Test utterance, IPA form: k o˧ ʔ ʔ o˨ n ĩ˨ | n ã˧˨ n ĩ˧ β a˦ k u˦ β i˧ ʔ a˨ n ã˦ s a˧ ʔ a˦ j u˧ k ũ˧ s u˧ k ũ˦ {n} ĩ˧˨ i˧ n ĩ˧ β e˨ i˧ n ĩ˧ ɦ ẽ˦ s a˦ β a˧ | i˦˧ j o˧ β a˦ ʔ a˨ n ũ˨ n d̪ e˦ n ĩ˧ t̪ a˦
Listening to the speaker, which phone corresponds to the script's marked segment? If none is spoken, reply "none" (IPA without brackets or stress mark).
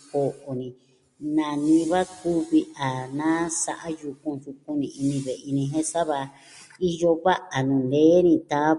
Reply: n